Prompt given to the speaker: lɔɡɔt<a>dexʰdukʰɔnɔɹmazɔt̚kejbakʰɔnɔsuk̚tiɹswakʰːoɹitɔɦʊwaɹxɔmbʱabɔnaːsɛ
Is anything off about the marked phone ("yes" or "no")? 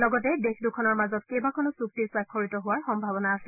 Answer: yes